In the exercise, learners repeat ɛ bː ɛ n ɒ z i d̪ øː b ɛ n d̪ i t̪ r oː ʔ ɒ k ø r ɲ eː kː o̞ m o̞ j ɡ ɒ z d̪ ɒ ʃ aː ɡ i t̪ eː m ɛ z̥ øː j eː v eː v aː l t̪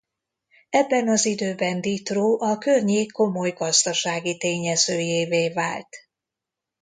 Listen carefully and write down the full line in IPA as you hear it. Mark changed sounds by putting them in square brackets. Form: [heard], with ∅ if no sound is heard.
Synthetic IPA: ɛ bː ɛ n ɒ z i d̪ øː b ɛ n d̪ i t̪ r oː ʔ ɒ k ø r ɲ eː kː o̞ m o̞ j ɡ ɒ z d̪ ɒ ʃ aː ɡ i t̪ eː [ɲ] ɛ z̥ øː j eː v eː v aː l t̪